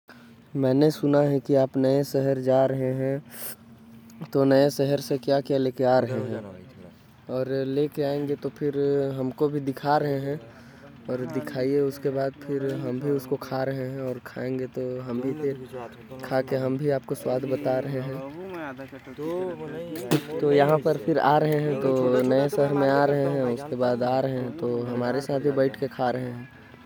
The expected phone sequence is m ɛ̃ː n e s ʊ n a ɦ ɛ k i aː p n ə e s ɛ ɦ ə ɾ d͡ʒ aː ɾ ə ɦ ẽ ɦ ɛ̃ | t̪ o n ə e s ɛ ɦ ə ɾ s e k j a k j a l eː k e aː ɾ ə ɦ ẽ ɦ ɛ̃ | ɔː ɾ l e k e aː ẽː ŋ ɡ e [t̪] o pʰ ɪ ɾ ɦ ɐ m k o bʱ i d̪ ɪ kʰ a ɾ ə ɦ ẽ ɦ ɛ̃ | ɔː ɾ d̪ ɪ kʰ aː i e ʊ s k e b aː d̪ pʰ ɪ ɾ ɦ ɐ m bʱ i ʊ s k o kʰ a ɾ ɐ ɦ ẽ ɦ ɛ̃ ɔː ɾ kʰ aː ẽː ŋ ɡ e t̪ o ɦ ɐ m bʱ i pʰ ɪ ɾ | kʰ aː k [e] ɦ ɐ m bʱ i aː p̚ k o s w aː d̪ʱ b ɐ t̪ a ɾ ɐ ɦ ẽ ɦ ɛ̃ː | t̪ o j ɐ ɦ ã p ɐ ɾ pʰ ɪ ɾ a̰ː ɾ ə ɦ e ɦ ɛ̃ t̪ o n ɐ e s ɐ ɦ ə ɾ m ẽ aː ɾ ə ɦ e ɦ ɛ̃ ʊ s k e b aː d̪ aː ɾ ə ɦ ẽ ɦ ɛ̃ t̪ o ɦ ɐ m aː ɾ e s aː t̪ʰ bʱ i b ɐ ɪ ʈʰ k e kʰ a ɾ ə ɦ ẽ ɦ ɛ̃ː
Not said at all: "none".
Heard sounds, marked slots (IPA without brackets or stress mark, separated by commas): t̪, e